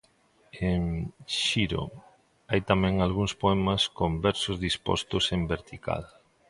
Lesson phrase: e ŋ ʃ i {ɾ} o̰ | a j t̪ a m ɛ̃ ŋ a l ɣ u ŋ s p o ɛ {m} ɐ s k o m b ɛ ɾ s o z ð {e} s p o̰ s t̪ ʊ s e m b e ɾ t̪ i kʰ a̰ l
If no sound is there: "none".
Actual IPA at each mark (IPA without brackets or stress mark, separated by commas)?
ɾ, m, i